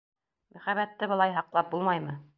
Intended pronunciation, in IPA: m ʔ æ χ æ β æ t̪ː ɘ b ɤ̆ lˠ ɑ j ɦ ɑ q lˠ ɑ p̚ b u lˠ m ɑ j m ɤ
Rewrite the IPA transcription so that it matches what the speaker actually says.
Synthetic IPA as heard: m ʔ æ χ æ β æ t̪ː ɘ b ɤ̆ lˠ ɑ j ɦ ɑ q lˠ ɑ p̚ b u lˠ m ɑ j m ɤ

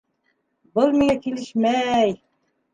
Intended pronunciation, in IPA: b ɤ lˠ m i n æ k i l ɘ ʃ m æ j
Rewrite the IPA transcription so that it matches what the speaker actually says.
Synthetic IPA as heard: b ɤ lˠ m i ŋ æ k i l ɘ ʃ m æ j

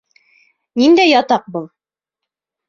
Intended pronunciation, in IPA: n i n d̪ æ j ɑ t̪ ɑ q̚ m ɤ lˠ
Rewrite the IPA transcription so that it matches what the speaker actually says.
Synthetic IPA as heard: n i n d̪ æ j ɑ t̪ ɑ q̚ b ɤ lˠ

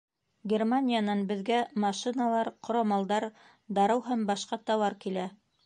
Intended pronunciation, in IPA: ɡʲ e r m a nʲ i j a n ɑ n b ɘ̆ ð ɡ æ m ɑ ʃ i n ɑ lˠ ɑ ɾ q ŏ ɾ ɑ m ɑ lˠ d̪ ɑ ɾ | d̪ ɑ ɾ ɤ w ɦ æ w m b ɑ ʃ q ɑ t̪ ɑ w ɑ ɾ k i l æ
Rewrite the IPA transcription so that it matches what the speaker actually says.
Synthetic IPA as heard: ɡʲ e r m a nʲ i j a n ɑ n b ɘ̆ ð ɡ æ m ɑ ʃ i n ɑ lˠ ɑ ɾ q ŏ ɾ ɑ m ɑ lˠ d̪ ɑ ɾ | d̪ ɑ ɾ ɤ w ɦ æ m b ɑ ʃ q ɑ t̪ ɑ w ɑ ɾ k i l æ

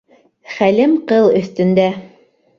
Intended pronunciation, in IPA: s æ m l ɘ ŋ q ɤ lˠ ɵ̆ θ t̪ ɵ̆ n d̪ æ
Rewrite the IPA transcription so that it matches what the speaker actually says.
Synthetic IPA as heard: χ æ l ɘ m q ɤ lˠ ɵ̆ θ t̪ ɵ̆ n d̪ æ

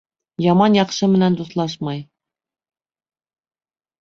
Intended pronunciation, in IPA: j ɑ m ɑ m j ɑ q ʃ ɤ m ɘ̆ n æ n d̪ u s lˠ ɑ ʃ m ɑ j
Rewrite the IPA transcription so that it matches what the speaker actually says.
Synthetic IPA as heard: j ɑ m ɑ n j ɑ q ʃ ɤ m ɘ̆ n æ n d̪ u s lˠ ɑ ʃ m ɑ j

